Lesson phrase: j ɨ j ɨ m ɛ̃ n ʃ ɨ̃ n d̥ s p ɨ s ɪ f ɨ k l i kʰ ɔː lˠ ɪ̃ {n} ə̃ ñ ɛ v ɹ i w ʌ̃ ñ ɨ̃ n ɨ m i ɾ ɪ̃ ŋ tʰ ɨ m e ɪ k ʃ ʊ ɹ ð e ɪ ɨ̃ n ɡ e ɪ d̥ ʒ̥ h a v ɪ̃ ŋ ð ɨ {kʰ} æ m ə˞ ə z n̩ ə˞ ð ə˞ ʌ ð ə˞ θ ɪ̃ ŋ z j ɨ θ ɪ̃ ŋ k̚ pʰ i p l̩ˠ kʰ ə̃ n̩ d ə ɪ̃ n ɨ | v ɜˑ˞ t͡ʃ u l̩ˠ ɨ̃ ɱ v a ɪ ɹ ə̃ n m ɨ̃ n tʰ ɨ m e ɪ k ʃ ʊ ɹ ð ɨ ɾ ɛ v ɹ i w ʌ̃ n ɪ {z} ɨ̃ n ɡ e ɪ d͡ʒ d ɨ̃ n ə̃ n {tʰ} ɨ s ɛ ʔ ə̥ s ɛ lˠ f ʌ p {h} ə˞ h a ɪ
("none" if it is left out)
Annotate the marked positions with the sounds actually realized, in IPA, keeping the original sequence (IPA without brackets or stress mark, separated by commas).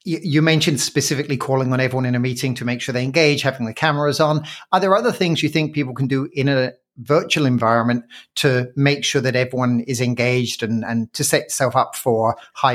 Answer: ŋ, kʰ, z, tʰ, f